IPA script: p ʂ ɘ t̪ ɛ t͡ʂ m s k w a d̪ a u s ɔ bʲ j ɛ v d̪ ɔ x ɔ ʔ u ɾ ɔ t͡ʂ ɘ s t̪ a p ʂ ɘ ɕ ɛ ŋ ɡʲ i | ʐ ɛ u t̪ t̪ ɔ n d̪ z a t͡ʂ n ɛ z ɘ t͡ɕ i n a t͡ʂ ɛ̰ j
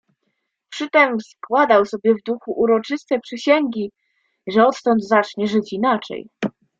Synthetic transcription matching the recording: p ʂ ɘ t̪ ɛ m s k w a d̪ a w s ɔ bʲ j ɛ v d̪ u x u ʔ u ɾ ɔ t͡ʂ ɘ s t̪ ɛ p ʂ ɘ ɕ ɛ ŋ ɡʲ i | ʐ ɛ ɔ t̪ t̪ ɔ n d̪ z a t͡ʂ ɲ ɛ ʐ ɘ t͡ɕ i n a t͡ʂ ɛ̰ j